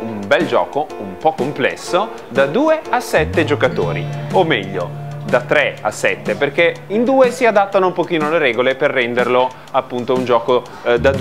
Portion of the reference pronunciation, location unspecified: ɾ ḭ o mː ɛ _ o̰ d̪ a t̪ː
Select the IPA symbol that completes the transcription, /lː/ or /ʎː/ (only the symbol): ʎː